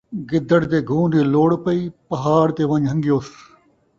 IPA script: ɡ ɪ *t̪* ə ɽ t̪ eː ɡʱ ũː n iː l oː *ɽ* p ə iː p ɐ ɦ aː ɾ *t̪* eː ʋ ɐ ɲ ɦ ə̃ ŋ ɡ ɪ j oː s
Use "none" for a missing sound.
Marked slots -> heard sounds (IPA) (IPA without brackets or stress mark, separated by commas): d̪, ɽ, t̪